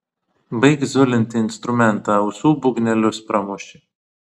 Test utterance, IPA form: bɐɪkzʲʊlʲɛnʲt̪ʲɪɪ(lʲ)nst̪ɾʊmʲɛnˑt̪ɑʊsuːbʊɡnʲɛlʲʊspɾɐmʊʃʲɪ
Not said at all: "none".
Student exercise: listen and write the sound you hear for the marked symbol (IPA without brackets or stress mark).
none